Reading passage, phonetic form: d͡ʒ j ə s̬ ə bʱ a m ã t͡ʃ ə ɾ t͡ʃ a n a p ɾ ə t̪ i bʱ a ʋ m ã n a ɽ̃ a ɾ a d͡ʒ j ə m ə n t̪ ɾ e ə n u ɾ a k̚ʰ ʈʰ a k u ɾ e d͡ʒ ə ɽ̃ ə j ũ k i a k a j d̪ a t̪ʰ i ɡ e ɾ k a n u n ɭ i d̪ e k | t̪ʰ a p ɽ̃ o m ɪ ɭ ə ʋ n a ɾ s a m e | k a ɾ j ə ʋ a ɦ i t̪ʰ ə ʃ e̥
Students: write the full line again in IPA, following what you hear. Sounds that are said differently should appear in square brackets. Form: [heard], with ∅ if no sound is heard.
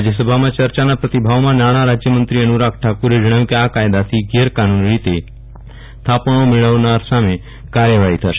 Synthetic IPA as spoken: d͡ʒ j ə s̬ ə bʱ a m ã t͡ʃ ə ɾ t͡ʃ a n a p ɾ ə t̪ i bʱ a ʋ m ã n a ɽ̃ a ɾ a d͡ʒ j ə m ə n t̪ ɾ [i] ə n u ɾ a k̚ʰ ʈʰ a k u ɾ e d͡ʒ ə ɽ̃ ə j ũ k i a k a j d̪ a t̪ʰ i ɡ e ɾ k a n u n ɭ i [t̪] e [∅] | t̪ʰ a p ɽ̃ o m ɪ ɭ ə ʋ n a ɾ s a m e | k a ɾ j ə ʋ a ɦ i t̪ʰ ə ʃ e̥